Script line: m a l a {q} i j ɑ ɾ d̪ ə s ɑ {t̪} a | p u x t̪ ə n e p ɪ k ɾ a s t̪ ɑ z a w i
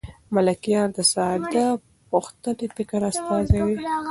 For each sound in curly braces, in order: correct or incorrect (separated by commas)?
incorrect, incorrect